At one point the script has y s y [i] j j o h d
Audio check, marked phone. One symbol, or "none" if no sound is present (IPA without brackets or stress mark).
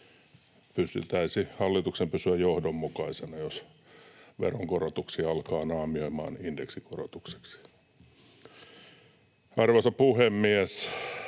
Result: æ